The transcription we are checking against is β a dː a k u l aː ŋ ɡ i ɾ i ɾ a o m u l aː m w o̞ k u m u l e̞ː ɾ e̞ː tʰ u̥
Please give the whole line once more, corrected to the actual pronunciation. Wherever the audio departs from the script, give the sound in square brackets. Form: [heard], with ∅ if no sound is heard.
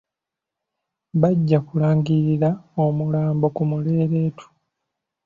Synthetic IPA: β a [ɟː] a k u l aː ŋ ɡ i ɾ i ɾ a o m u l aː m [b] o̞ k u m u l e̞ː ɾ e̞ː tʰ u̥